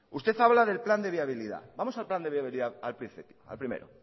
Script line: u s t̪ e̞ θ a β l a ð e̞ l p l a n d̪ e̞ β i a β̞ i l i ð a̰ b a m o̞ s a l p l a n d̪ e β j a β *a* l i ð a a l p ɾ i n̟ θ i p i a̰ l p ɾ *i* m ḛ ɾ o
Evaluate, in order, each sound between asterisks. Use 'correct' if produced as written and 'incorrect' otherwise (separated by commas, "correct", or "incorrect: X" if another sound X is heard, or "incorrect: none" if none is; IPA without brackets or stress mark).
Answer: incorrect: i, correct